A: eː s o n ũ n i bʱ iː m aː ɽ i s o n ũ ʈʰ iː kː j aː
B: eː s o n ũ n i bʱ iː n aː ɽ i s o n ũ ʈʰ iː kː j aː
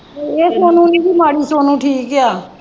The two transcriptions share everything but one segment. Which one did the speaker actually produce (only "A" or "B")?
A